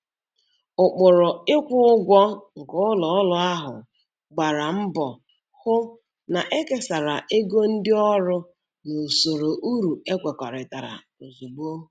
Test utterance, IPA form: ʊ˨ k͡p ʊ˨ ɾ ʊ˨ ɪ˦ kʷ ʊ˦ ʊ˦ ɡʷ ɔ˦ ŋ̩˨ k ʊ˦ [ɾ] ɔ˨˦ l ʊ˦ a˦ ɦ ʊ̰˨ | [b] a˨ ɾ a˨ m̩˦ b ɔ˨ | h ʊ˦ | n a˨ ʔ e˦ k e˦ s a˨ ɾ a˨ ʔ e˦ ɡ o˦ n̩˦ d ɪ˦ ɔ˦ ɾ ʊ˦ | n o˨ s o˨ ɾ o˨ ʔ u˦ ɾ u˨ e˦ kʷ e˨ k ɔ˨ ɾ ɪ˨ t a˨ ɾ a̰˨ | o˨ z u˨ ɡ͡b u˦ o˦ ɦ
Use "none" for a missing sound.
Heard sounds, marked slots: l, ɡ͡b

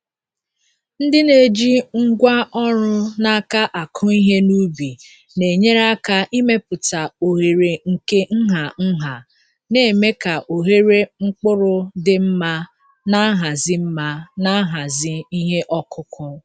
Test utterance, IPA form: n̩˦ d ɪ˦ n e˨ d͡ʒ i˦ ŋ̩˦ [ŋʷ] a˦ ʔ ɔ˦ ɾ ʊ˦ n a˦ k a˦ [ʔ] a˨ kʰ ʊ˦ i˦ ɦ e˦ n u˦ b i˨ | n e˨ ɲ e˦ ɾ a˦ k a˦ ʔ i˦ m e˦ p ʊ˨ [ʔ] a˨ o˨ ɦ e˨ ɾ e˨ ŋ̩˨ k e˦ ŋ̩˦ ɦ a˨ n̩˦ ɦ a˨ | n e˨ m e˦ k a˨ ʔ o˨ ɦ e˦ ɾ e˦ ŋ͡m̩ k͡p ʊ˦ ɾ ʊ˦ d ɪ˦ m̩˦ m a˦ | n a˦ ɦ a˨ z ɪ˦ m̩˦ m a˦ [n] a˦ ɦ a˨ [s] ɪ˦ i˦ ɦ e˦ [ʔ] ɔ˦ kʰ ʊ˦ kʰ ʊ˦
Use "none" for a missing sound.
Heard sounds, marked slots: ɡʷ, ʔ, t, n, z, ʔ

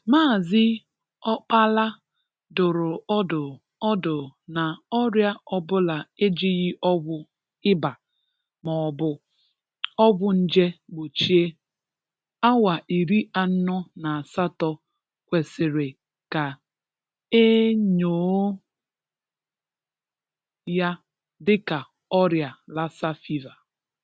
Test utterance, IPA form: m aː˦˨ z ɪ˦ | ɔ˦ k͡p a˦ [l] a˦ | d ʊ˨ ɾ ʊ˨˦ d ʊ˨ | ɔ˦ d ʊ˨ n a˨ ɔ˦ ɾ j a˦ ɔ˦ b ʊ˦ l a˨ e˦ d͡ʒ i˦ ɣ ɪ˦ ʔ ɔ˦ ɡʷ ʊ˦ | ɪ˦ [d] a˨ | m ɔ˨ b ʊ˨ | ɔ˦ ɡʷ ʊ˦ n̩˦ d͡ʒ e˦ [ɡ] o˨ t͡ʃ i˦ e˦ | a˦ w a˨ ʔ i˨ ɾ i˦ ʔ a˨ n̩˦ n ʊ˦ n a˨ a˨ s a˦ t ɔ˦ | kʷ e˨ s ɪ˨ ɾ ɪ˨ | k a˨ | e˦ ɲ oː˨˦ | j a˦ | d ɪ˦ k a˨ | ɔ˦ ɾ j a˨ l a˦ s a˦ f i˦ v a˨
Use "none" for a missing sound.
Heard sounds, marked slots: l, b, ɡ͡b

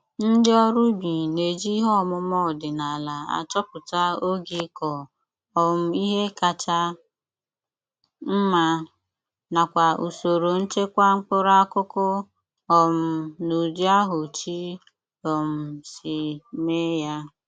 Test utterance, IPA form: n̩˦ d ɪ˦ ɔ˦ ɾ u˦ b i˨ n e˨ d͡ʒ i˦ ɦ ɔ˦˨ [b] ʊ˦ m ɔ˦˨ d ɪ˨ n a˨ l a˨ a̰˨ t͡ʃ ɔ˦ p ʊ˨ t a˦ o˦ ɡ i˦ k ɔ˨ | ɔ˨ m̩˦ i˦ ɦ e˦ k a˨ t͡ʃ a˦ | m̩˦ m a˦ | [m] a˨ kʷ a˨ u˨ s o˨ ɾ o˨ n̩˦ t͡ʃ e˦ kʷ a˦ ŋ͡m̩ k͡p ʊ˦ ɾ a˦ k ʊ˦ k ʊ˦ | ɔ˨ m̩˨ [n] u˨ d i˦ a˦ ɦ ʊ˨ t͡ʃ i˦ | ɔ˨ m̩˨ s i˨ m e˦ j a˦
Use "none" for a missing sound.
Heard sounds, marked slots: m, n, n

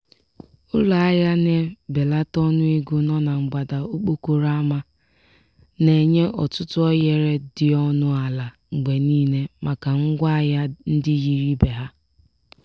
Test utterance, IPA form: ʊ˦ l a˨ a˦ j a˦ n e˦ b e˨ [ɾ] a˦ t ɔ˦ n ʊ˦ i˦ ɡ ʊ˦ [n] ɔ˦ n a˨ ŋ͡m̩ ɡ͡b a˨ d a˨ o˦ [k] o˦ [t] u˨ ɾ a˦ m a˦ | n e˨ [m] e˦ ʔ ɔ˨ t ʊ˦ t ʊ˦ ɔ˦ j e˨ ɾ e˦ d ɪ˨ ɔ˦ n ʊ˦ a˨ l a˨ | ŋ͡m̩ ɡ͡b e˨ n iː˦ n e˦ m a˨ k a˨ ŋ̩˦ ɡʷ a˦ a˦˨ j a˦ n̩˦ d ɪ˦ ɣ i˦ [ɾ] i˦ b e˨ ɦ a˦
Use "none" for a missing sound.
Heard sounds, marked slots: l, n, k͡p, k, ɲ, ɾ

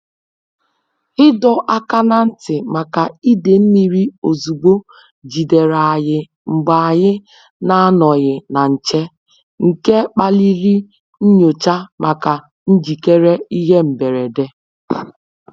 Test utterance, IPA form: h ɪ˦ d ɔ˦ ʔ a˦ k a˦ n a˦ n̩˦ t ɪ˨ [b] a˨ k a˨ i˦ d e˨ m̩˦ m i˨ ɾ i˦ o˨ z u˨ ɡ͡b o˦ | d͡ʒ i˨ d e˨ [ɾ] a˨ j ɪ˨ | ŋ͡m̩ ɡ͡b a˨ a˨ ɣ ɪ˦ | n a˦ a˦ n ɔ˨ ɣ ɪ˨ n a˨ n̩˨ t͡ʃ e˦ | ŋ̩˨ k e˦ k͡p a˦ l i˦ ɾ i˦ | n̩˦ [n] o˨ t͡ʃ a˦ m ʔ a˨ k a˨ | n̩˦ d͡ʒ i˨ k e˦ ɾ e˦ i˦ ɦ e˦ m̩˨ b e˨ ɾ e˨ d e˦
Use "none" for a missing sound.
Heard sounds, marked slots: m, ɾ, ɲ

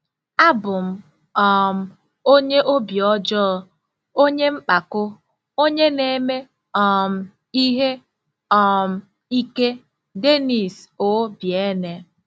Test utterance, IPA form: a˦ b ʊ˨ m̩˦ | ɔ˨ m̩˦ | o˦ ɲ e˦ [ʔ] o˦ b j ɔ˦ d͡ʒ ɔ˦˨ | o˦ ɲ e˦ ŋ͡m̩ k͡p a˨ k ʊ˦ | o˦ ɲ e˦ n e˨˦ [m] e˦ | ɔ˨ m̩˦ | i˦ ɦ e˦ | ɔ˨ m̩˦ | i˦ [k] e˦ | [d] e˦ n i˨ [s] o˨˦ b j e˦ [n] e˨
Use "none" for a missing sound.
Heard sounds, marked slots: ʔ, m, k, d, s, n

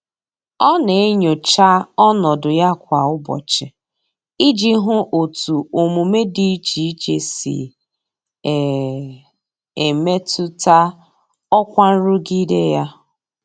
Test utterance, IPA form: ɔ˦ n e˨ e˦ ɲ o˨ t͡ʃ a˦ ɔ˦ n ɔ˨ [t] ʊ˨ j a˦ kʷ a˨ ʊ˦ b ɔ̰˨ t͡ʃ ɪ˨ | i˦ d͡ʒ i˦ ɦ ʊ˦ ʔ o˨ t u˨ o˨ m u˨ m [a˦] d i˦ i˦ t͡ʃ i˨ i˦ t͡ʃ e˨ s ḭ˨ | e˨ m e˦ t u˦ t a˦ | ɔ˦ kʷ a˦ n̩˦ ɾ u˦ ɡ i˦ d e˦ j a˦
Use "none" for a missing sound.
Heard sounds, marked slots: d, e˦

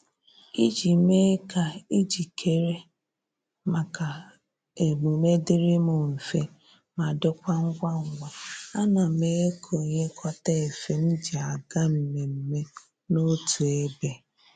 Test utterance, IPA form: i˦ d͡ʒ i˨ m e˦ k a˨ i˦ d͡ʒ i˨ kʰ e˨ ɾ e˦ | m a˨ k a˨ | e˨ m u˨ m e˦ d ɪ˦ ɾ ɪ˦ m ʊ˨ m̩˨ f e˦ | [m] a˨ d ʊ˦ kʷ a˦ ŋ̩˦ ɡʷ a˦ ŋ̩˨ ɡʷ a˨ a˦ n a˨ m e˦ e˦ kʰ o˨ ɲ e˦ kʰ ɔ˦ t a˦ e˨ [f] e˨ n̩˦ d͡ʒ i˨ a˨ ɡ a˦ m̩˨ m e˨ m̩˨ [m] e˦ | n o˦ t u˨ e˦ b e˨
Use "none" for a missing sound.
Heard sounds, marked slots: m, f, m

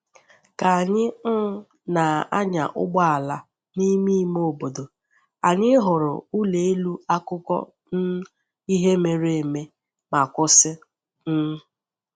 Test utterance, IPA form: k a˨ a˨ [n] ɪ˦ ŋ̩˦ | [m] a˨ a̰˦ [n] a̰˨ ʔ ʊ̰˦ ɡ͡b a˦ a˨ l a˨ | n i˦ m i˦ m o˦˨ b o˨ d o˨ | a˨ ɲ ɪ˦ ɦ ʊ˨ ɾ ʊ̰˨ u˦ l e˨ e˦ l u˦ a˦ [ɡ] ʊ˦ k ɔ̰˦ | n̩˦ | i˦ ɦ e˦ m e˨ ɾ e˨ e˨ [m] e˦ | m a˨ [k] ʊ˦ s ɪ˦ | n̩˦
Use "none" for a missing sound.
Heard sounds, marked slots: ɲ, n, ɲ, k, m, k

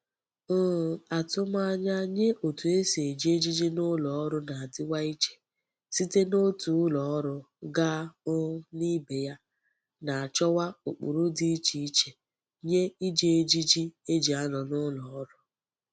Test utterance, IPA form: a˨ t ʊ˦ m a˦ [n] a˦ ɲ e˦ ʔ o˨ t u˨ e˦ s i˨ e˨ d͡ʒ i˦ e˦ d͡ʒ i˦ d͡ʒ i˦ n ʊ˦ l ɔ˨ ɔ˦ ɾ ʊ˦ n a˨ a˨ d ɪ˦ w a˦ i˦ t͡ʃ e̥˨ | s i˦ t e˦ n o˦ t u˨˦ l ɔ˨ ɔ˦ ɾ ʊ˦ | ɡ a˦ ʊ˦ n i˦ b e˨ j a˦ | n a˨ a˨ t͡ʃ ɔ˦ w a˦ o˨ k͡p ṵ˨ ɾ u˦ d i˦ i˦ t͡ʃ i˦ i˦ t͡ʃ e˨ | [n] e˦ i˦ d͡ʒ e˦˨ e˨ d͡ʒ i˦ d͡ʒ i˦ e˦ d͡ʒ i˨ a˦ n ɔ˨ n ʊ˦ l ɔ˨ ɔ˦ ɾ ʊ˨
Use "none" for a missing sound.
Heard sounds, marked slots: ɲ, ɲ

